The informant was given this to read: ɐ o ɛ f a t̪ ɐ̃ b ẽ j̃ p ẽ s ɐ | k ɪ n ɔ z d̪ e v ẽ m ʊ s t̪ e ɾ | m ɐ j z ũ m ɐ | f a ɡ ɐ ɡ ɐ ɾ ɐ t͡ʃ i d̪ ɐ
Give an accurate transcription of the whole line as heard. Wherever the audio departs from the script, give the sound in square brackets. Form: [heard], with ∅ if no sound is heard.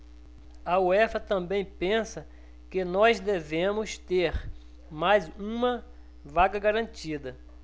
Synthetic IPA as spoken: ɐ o ɛ f [ɐ] t̪ ɐ̃ b ẽ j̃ p ẽ s ɐ | k ɪ n ɔ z d̪ e v ẽ m ʊ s t̪ e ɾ | m [a] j z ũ m ɐ | [v] a ɡ ɐ ɡ [a] ɾ [ɐ̃] t͡ʃ i d̪ ɐ

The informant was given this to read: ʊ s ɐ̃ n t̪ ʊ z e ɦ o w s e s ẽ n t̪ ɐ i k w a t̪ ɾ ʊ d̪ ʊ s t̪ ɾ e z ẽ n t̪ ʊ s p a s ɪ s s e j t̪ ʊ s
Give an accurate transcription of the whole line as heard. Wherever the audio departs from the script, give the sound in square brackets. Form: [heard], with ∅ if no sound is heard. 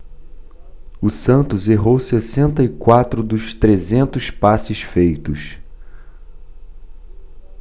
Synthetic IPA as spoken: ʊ s ɐ̃ n t̪ ʊ z e ɦ o w s e s ẽ n t̪ ɐ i k w a t̪ ɾ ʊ d̪ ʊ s t̪ ɾ e z ẽ n t̪ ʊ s p a s ɪ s [f] e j t̪ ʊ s

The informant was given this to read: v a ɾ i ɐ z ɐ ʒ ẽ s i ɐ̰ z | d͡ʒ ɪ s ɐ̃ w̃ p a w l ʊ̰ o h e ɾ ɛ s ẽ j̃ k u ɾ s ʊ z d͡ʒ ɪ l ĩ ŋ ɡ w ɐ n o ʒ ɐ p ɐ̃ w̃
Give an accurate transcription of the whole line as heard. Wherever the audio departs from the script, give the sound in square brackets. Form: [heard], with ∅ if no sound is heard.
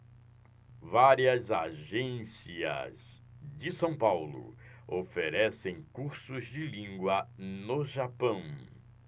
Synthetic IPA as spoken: v a ɾ i ɐ z [a] ʒ ẽ s i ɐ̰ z | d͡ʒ ɪ s ɐ̃ w̃ p a w l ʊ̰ o [f] e ɾ ɛ s ẽ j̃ k u ɾ s ʊ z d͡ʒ ɪ l ĩ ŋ ɡ w ɐ n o ʒ [a] p ɐ̃ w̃

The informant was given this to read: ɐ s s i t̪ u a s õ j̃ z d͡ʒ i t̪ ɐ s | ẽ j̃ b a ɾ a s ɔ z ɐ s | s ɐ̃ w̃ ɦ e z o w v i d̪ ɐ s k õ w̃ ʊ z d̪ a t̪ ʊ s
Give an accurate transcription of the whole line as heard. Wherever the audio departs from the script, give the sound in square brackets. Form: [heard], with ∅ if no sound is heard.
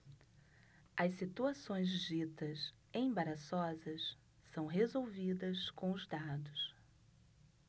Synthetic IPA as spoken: ɐ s s i t̪ u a s õ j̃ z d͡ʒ i t̪ ɐ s | ẽ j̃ b a ɾ a s ɔ z ɐ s | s ɐ̃ w̃ ɦ e z o w v i d̪ ɐ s k õ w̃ ʊ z d̪ a [d̪] ʊ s

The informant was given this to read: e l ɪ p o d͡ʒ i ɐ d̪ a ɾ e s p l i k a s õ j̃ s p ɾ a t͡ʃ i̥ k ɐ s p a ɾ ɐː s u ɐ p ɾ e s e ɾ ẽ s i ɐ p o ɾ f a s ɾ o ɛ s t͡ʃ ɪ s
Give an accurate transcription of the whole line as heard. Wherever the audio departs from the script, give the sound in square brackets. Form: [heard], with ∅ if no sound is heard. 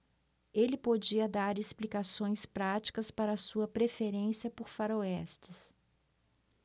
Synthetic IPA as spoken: e l ɪ p o d͡ʒ i ɐ d̪ a ɾ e s p l i k a s õ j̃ s p ɾ a t͡ʃ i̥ k ɐ s p a ɾ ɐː s u ɐ p ɾ e [f] e ɾ ẽ s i ɐ p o ɾ f a [∅] ɾ o ɛ s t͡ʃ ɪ s

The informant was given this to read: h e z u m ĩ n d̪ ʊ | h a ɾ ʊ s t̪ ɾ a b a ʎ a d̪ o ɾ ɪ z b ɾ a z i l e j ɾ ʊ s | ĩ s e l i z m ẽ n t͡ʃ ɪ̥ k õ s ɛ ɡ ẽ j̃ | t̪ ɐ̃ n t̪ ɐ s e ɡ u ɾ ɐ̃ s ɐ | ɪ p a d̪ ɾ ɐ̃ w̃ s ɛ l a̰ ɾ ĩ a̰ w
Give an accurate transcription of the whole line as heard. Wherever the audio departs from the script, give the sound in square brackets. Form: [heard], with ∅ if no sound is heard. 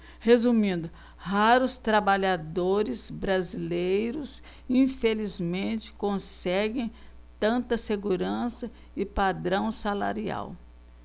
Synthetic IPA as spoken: h e z u m ĩ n d̪ ʊ | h a ɾ ʊ s t̪ ɾ a b a ʎ a d̪ o ɾ ɪ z b ɾ a z i l e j ɾ ʊ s | ĩ [f] e l i z m ẽ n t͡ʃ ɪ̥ k õ s ɛ ɡ ẽ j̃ | t̪ ɐ̃ n t̪ ɐ s e ɡ u ɾ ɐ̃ s ɐ | ɪ p a d̪ ɾ ɐ̃ w̃ s [a] l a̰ ɾ [i] a̰ w

